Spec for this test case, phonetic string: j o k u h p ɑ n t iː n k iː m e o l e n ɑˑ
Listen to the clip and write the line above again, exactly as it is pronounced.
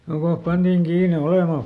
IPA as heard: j o k o h p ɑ n t iː ŋ k iː n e o l e m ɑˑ